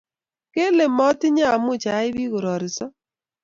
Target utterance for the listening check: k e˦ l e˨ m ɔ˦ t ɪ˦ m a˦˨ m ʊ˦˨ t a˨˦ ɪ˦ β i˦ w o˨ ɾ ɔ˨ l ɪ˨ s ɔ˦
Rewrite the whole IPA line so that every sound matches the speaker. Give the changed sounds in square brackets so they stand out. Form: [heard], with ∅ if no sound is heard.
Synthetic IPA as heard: k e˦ l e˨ m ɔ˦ t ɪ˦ [ɲ] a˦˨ m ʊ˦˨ [t͡ʃ] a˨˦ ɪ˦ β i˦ [ɣ] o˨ ɾ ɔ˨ [ɾ] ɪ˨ s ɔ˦